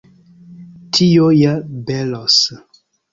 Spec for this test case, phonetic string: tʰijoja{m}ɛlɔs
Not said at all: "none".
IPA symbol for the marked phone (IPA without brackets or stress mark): b